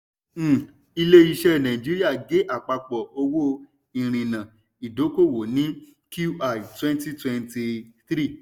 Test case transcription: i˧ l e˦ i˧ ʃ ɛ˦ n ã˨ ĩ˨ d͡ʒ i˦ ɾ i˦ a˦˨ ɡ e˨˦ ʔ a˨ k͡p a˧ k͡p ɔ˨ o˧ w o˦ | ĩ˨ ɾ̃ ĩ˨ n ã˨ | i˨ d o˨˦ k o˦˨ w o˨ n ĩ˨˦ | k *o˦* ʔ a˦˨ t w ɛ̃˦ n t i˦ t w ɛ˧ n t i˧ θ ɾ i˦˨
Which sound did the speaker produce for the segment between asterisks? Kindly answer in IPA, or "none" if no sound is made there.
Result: u˦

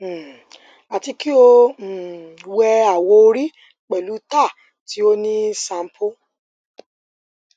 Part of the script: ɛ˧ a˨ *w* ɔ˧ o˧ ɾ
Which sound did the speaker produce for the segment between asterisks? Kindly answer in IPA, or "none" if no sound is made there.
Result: w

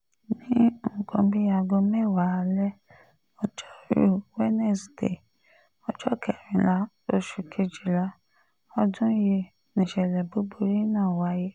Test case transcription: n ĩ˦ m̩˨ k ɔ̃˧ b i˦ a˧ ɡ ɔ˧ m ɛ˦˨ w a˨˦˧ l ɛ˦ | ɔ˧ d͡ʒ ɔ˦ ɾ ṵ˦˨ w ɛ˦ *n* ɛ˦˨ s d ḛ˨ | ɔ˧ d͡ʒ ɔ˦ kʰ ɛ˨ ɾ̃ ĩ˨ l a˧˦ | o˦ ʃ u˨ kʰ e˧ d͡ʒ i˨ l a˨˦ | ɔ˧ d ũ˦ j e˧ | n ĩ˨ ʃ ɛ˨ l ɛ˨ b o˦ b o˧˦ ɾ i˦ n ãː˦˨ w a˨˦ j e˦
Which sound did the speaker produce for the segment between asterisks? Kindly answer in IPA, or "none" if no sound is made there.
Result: n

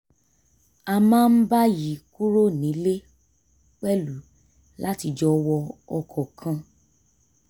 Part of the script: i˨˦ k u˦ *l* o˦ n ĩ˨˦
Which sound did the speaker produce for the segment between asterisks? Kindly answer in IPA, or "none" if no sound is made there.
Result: ɾ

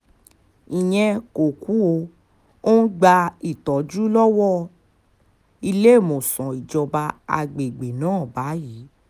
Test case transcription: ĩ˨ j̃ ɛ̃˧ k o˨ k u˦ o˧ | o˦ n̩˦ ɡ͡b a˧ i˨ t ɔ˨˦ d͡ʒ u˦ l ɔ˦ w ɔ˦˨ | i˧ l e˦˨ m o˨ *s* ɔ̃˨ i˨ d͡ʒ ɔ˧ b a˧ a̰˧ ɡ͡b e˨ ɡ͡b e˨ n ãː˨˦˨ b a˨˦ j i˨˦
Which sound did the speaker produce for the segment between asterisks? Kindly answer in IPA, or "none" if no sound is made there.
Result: s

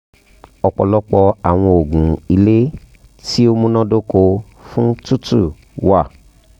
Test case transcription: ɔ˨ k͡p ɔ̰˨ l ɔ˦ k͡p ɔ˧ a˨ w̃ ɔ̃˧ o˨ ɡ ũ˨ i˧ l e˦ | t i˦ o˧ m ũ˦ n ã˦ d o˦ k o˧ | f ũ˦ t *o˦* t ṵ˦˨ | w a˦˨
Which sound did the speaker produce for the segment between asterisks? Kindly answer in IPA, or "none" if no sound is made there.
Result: u˦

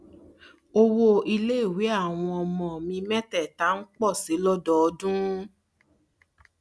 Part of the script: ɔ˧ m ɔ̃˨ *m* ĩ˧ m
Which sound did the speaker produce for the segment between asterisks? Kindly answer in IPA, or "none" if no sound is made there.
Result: m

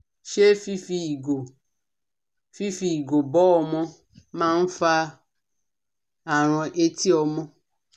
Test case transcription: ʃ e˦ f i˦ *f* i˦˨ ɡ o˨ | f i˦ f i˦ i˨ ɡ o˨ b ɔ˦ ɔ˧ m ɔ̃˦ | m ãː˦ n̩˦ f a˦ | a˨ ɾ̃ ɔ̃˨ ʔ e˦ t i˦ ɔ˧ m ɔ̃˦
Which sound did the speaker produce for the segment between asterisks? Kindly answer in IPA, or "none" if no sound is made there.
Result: f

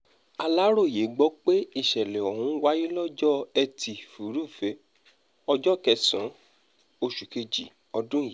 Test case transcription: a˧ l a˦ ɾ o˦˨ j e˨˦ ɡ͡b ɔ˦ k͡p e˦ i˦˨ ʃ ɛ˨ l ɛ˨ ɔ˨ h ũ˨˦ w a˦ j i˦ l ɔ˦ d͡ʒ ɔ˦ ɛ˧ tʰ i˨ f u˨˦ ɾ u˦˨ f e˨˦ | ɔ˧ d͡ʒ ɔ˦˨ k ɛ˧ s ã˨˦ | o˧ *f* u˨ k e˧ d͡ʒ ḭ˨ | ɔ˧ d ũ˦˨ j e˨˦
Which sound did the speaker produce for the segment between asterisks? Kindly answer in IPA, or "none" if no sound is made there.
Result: ʃ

